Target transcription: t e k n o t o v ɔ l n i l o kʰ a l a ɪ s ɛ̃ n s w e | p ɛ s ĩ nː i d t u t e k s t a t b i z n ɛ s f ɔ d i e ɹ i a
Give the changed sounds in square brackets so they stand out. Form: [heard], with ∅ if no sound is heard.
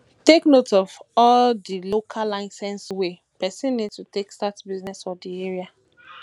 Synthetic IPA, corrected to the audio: t e k n o t [ɔ] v ɔ l [d] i l o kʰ a l a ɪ s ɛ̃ n s w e | p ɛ s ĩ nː i d t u t e k s t a t b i z n ɛ s f ɔ d i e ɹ i a